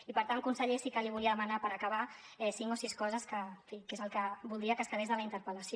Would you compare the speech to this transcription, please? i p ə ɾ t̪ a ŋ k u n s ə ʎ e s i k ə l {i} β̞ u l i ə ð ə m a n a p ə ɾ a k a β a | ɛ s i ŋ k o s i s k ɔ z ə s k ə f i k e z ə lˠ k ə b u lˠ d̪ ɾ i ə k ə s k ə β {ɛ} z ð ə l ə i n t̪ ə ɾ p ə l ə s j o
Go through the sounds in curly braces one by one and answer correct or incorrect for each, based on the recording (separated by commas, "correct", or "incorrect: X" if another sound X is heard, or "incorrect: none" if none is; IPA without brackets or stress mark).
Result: correct, incorrect: e